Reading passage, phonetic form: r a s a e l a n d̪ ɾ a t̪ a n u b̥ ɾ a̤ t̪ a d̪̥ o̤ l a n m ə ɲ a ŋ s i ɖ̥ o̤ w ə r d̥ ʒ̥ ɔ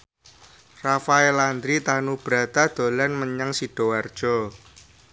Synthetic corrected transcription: r a f a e l a n d̪ ɾ i t̪ a n u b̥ ɾ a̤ t̪ a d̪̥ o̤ l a n m ə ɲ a ŋ s i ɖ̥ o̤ w a r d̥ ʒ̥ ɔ

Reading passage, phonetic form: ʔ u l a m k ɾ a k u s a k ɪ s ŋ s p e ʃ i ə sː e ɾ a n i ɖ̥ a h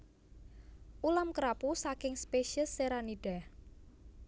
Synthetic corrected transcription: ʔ u l a m k ɾ a p u s a k ɪ ŋ s p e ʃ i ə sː e ɾ a n i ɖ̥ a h

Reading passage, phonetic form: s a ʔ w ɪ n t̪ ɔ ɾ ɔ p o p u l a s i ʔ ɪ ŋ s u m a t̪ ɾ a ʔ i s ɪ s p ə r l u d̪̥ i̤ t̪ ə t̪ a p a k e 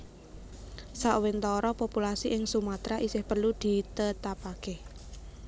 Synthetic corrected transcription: s a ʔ w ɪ n t̪ ɔ ɾ ɔ p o p u l a s i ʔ ɪ ŋ s u m a t̪ ɾ a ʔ i s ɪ h p ə r l u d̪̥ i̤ t̪ ə t̪ a p a k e

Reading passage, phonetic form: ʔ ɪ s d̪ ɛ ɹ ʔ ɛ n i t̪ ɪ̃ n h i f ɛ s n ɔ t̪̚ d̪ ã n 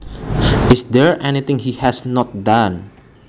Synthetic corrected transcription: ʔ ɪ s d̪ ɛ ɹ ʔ ɛ n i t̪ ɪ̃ ŋ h i h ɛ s n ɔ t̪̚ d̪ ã n

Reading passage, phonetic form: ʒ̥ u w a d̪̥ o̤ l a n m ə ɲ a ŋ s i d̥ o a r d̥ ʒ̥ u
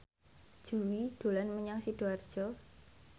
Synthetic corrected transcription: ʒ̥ u w i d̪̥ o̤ l a n m ə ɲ a ŋ s i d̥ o a r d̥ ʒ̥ ɔ

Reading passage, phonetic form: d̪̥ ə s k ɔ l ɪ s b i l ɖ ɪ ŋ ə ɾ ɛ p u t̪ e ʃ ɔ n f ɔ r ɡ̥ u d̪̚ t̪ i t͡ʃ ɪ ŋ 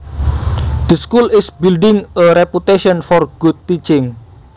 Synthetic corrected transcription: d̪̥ ə s k u l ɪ s b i l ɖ ɪ ŋ ə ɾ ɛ p u t̪ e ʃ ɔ n f ɔ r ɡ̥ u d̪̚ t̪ i t͡ʃ ɪ ŋ

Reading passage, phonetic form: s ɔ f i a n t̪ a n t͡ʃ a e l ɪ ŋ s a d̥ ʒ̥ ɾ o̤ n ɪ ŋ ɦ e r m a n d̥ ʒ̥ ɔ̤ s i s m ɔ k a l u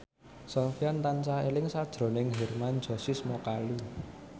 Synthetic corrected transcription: s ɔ f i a n t̪ a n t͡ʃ a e l ɪ ŋ s a d̥ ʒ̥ ɾ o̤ n ɪ ŋ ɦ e r m a n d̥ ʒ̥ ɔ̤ s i s m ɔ k a l u

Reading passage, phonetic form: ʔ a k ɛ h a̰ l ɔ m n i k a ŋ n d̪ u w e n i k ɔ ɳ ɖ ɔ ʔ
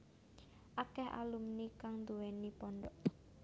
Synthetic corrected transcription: ʔ a k ɛ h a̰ l u m n i k a ŋ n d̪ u w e n i p ɔ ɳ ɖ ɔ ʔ

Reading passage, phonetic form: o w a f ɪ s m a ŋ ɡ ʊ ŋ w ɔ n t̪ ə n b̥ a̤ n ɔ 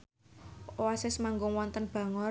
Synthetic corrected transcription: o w a s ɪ s m a ŋ ɡ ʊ ŋ w ɔ n t̪ ə n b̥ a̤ ŋ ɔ

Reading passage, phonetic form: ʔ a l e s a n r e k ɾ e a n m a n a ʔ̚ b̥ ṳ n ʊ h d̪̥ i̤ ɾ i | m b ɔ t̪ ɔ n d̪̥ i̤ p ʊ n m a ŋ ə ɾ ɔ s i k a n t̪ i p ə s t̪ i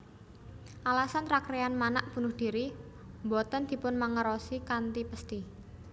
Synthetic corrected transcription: ʔ a l a s a n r a k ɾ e a n m a n a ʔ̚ b̥ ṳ n ʊ h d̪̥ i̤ ɾ i | m b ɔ t̪ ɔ n d̪̥ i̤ p ʊ n m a ŋ ə ɾ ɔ s i k a n t̪ i p ə s t̪ i

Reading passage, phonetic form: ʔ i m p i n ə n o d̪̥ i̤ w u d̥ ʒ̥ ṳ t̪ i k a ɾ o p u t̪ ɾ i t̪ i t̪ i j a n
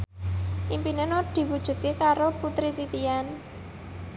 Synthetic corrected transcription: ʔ i m p i n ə n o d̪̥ i̤ w u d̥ ʒ̥ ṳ t̪ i k a ɾ o p u t̪ ɾ i t̪ i t̪ i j a n

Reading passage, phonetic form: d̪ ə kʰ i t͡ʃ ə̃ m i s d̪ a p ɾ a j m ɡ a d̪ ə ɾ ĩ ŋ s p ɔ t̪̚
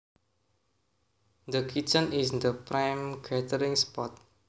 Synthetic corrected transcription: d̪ ə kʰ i t͡ʃ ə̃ n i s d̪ ə p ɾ a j m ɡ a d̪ ə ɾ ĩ ŋ s p ɔ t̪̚

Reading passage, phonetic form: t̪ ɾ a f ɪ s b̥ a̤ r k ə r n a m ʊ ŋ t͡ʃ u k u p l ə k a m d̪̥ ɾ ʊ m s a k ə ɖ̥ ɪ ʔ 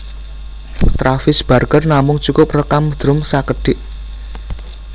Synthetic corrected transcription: t̪ ɾ a f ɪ s b̥ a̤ r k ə r n a m ʊ ŋ t͡ʃ u k ʊ p r ə k a m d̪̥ ɾ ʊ m s a k ə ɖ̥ ɪ ʔ

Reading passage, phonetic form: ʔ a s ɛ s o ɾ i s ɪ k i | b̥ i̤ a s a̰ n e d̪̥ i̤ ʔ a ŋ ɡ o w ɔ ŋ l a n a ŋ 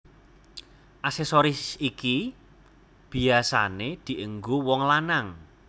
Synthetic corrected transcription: ʔ a s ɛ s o ɾ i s i k i | b̥ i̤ a s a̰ n e d̪̥ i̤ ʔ ə ŋ ɡ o w ɔ ŋ l a n a ŋ

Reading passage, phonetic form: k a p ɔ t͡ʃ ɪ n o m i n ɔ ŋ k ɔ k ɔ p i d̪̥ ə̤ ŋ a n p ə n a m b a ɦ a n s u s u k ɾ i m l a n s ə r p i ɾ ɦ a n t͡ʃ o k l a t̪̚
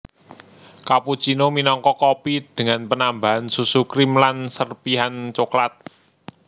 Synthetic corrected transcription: k a p u t͡ʃ i n o m i n ɔ ŋ k ɔ k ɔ p i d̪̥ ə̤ ŋ a n p ə n a m b a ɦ a n s u s u k ɾ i m l a n s ə r p i ɦ a n t͡ʃ o k l a t̪̚

